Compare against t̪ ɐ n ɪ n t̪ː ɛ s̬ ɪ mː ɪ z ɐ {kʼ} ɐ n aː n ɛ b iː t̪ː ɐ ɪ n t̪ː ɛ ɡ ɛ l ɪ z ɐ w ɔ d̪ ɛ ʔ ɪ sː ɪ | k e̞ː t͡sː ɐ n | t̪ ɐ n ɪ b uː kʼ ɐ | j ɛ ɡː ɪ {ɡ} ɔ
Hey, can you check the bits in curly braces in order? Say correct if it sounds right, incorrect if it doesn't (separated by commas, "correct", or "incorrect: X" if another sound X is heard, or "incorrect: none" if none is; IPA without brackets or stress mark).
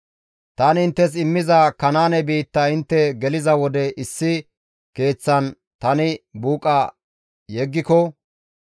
incorrect: k, incorrect: k